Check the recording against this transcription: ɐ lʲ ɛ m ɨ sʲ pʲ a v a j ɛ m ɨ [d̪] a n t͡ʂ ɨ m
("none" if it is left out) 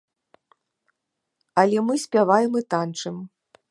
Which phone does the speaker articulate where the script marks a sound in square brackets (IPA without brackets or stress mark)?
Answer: t̪